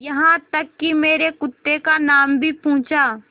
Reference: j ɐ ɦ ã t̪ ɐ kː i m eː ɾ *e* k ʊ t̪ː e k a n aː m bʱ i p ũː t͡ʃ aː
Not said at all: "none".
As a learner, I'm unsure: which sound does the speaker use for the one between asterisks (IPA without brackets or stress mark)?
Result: e